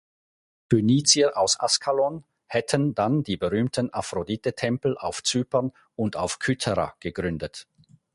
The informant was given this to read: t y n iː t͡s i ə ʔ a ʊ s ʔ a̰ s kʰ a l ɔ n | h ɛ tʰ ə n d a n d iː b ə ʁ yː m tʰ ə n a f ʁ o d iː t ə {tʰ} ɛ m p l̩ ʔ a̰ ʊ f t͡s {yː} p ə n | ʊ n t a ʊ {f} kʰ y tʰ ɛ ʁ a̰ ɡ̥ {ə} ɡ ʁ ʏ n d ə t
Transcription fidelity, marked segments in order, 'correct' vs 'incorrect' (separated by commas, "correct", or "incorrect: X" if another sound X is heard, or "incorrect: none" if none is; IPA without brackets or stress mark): correct, correct, correct, correct